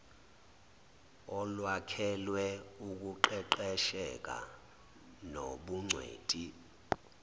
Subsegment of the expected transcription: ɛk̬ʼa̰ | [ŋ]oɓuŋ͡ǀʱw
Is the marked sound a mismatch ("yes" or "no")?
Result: yes